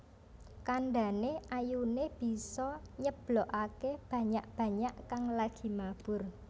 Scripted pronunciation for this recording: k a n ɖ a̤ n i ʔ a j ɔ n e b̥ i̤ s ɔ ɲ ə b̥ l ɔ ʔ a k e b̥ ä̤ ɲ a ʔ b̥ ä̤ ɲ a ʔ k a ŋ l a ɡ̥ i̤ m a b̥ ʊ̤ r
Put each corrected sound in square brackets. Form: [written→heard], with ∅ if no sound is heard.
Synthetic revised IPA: k a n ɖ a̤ n [i→e] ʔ a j [ɔ→u] n e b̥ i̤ s ɔ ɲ ə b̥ l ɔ ʔ a k e b̥ ä̤ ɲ a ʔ b̥ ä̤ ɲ a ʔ k a ŋ l a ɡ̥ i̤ m a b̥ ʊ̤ r